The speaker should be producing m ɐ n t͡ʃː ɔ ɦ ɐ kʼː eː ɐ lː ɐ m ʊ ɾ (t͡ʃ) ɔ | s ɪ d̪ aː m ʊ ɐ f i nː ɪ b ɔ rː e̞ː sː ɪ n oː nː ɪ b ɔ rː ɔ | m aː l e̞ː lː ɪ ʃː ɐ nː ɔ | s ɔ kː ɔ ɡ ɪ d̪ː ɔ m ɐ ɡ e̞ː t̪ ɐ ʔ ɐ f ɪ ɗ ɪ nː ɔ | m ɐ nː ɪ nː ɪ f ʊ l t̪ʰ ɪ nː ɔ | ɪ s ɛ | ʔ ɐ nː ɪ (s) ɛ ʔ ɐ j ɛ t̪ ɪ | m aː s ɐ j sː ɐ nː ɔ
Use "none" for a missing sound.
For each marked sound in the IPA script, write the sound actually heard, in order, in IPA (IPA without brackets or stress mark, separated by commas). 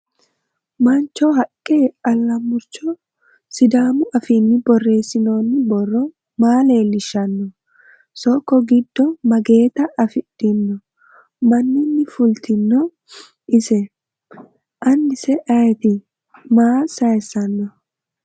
t͡ʃ, s